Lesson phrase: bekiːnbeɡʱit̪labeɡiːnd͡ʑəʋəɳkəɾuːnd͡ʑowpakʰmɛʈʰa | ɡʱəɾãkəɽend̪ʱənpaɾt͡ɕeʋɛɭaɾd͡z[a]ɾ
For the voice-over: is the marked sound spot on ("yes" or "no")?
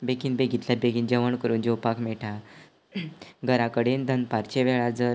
no